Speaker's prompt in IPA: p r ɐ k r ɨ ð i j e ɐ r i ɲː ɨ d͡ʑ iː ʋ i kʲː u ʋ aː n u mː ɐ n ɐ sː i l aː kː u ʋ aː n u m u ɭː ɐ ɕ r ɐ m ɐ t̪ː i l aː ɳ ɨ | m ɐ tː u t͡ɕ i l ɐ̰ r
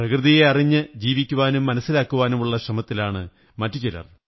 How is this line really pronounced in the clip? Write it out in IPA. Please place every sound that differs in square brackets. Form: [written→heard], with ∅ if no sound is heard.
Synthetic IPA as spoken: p r ɐ k r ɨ ð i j e ɐ r i ɲː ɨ d͡ʑ iː ʋ i kʲː u ʋ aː n u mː ɐ n ɐ sː i l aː kː u ʋ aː n u m u ɭː ɐ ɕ r ɐ m ɐ t̪ː i l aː ɳ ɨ | m ɐ tː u t͡ɕ i l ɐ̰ r